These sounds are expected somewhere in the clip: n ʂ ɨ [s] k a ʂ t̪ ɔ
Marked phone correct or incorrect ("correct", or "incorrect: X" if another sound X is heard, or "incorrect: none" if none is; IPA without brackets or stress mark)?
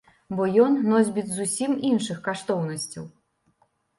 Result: incorrect: x